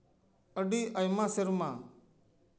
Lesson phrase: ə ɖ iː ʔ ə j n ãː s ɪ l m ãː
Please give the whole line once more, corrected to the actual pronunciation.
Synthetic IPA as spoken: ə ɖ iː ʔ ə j m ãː s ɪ ɾ m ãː